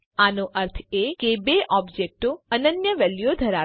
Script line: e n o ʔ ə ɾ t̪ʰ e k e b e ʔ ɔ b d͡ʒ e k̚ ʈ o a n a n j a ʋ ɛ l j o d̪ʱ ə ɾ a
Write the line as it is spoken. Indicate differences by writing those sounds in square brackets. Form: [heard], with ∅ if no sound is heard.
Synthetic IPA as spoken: [a] n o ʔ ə ɾ t̪ʰ e k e b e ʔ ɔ b d͡ʒ e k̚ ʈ o [ə] n [ə] n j [ə] ʋ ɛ l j o d̪ʱ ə ɾ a